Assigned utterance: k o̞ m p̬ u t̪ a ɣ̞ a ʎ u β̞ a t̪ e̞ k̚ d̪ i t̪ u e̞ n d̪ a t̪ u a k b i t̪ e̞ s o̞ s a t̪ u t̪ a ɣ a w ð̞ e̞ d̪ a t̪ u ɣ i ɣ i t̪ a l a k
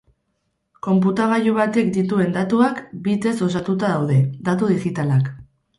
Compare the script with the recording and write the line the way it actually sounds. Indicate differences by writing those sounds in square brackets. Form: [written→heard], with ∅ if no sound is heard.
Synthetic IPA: k o̞ m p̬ u t̪ a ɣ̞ a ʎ u β̞ a t̪ e̞ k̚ d̪ i t̪ u e̞ n d̪ a t̪ u a k b i t̪ e̞ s o̞ s a t̪ u t̪ a [ɣ→ð] a w ð̞ e̞ d̪ a t̪ u [ɣ→ð] i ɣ i t̪ a l a k